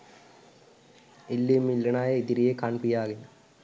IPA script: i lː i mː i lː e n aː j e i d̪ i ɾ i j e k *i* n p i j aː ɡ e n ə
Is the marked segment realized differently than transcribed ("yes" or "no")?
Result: yes